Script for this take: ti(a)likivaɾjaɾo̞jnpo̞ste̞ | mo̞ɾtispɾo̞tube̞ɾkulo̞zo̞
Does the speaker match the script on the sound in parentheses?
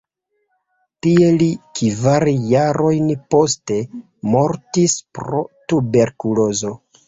no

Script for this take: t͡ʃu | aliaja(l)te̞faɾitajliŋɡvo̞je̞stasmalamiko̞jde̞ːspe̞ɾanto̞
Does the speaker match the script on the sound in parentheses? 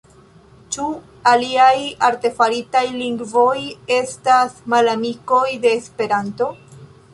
no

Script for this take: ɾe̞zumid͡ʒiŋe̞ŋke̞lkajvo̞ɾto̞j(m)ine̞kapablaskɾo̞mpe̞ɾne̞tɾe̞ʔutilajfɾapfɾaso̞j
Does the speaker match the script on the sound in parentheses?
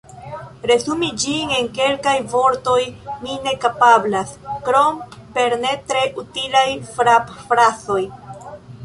yes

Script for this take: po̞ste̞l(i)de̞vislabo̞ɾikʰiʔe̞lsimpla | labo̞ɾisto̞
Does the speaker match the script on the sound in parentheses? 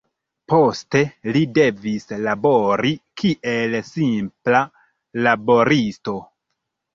yes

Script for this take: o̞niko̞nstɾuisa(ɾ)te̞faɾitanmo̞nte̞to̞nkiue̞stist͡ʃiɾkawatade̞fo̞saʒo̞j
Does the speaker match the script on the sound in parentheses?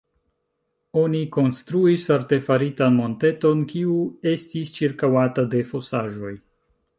yes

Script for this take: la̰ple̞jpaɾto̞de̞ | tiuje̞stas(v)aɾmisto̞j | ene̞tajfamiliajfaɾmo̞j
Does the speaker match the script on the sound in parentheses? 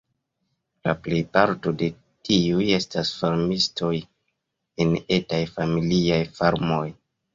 no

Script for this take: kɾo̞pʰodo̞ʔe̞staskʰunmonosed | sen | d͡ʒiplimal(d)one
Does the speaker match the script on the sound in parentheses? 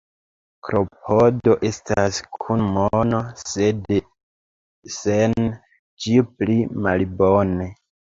no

